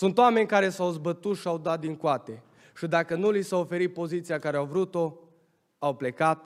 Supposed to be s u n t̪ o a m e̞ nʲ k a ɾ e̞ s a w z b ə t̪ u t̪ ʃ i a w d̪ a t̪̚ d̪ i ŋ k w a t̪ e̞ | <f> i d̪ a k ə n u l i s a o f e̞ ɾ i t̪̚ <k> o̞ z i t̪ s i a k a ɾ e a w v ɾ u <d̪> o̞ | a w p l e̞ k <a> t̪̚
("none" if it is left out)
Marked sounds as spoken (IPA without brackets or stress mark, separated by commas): ʃ, p, t̪, a